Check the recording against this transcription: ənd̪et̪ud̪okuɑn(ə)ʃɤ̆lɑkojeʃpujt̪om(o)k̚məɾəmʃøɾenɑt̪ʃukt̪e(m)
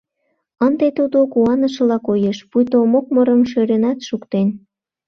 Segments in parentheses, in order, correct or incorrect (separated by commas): correct, correct, incorrect